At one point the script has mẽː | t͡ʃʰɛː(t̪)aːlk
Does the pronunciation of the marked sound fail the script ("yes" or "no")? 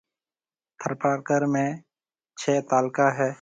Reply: no